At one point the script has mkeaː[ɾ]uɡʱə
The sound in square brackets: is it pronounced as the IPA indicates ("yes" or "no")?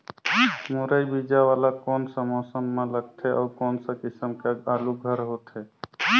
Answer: no